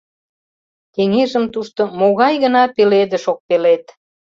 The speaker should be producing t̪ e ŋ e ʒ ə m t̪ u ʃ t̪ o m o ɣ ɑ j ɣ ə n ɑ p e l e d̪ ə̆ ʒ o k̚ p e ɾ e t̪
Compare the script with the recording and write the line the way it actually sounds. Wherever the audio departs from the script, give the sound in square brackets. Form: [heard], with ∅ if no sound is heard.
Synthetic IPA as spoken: t̪ e ŋ e ʒ ə m t̪ u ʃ t̪ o m o ɣ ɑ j ɣ ə n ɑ p e l e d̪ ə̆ [ʃ] o k̚ p e [l] e t̪